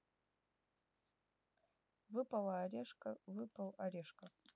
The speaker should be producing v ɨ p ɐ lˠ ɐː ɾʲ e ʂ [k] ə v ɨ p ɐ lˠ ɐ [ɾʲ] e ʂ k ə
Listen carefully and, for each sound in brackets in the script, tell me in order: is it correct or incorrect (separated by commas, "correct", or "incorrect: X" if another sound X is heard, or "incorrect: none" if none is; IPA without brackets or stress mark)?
correct, correct